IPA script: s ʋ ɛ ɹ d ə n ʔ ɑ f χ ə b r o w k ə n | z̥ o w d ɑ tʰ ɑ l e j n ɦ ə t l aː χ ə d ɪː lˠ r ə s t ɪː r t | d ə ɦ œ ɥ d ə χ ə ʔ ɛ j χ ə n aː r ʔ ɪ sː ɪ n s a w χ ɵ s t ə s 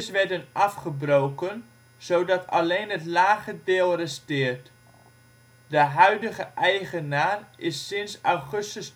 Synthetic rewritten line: s ʋ ɛ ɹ d ə n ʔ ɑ f χ ə b r o w k ə n | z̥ o w d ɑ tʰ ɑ l e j n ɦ ə t l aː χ ə d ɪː lˠ r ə s t ɪː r t | d ə ɦ œ ɥ d ə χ ə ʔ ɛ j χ ə n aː r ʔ ɪ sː ɪ n s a w χ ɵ s t ə s